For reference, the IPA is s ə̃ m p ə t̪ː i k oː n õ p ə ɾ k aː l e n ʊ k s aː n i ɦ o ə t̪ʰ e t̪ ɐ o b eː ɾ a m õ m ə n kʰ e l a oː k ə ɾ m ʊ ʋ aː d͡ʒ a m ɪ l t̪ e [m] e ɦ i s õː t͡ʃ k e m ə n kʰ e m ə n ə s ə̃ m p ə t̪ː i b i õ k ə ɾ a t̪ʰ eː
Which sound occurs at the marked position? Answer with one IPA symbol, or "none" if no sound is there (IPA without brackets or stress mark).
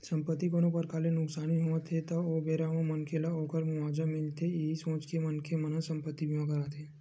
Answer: none